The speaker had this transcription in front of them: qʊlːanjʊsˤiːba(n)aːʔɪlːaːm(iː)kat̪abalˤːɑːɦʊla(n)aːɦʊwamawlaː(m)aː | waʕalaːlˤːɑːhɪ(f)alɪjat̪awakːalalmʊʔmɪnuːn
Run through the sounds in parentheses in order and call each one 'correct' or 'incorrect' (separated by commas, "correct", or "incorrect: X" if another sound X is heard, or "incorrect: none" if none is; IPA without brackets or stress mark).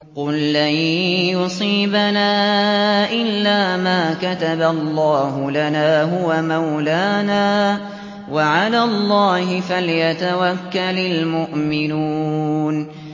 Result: correct, incorrect: aː, correct, incorrect: n, correct